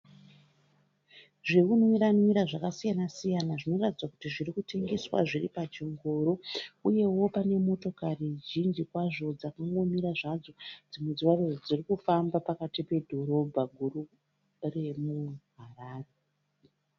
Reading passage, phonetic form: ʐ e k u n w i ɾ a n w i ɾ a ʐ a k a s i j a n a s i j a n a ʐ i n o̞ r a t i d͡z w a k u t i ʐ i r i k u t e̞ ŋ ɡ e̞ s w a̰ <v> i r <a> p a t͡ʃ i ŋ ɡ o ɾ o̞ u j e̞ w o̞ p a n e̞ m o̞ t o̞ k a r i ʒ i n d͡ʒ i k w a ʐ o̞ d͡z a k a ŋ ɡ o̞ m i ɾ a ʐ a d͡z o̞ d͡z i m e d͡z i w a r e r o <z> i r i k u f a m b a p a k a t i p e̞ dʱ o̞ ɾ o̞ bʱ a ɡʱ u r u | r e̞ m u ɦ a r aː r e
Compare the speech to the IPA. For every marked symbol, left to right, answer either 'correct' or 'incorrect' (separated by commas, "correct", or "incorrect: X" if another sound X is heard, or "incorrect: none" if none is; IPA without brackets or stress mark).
incorrect: ʐ, incorrect: i, incorrect: d͡z